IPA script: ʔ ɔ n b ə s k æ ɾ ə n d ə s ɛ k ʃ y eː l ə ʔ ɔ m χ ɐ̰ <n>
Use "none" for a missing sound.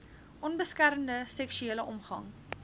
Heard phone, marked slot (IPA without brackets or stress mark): ŋ